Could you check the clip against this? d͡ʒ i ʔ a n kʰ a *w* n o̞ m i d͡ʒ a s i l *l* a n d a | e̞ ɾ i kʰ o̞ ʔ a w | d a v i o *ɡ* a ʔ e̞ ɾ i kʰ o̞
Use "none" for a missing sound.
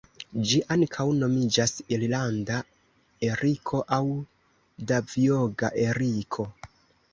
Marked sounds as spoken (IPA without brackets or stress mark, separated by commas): w, l, ɡ